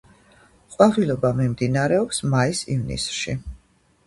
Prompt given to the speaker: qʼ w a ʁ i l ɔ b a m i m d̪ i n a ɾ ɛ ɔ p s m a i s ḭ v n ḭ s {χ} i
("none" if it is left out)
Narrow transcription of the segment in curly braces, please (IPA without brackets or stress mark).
ʃ